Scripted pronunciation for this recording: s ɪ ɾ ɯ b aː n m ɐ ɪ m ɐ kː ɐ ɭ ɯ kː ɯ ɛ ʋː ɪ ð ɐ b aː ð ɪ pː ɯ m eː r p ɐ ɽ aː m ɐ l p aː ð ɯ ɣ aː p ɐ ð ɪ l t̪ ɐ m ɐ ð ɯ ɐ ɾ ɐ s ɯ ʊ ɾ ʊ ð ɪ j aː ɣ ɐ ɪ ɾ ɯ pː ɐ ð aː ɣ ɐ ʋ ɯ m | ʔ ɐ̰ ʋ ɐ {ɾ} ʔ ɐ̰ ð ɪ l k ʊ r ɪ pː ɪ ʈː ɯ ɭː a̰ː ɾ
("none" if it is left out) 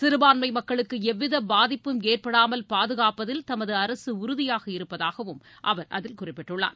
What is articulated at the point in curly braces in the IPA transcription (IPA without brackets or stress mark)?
ɾ